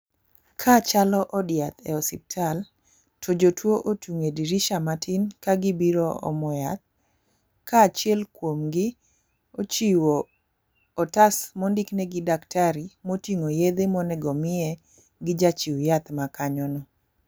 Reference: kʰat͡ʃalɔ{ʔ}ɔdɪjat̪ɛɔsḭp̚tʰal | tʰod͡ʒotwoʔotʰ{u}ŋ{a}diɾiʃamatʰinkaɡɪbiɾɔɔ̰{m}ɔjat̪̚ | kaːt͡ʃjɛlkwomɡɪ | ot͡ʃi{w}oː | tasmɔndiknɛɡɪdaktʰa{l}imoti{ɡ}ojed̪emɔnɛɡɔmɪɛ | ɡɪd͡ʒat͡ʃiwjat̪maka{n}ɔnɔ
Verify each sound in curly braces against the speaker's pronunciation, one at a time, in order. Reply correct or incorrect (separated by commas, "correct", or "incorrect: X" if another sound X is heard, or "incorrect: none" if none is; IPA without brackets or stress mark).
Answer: correct, correct, incorrect: e, correct, correct, incorrect: ɾ, incorrect: ŋ, incorrect: ɲ